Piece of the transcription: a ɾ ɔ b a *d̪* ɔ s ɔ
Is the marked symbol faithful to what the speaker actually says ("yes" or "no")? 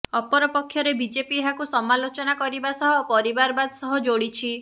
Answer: yes